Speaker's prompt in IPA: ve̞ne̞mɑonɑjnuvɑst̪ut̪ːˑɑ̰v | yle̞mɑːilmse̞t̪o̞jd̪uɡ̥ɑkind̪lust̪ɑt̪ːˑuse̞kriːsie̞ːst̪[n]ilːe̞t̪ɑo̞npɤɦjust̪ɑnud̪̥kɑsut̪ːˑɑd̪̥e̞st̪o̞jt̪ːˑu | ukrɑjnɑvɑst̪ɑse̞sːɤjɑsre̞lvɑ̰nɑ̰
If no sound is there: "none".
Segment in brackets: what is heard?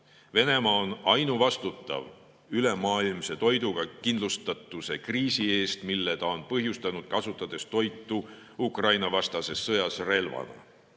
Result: m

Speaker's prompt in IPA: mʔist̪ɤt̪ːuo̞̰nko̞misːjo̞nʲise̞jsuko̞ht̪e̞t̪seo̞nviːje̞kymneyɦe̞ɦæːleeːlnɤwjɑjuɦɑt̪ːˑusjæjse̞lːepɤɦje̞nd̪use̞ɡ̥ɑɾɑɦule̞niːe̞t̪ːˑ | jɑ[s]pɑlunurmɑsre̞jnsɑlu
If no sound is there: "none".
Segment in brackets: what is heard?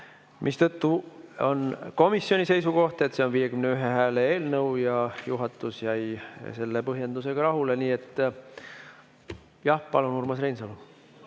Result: h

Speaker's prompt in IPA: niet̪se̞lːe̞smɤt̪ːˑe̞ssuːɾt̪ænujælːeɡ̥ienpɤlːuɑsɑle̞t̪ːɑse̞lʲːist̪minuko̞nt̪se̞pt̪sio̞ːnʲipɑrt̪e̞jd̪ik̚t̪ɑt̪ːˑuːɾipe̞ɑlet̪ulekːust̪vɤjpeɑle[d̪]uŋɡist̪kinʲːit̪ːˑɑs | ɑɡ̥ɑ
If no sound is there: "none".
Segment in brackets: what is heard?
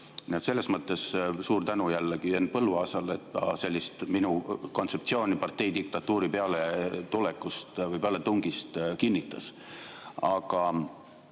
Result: t̪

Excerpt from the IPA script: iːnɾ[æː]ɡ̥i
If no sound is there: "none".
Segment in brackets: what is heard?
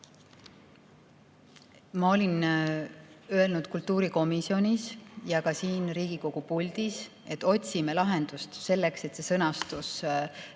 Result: iː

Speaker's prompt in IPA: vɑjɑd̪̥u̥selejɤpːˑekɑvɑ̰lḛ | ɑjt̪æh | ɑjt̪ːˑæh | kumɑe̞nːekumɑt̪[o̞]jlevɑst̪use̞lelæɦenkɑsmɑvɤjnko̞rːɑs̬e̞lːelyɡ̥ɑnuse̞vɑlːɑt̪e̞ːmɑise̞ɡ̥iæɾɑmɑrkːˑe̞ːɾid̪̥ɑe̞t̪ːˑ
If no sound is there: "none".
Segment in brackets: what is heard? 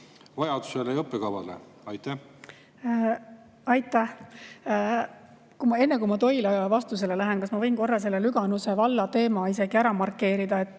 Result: o̞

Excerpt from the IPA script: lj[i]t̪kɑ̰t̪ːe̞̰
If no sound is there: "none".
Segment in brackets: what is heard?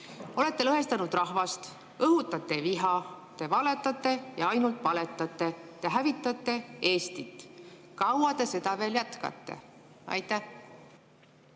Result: æ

